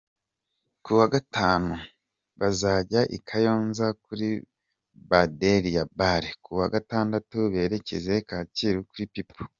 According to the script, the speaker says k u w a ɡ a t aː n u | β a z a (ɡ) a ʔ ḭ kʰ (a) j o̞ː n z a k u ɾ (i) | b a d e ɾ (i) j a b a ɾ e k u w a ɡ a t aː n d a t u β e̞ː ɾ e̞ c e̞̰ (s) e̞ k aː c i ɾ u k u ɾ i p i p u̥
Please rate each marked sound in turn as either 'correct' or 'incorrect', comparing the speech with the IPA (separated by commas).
incorrect, correct, correct, correct, incorrect